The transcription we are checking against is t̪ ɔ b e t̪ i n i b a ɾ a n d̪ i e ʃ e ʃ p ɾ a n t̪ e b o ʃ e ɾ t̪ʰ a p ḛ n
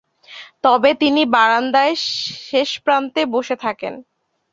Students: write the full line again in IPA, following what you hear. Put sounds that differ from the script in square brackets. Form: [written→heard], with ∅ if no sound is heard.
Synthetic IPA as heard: t̪ ɔ b e t̪ i n i b a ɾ a n d̪ [i→a] e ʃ e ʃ p ɾ a n t̪ e b o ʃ e [ɾ→∅] t̪ʰ a [p→k] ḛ n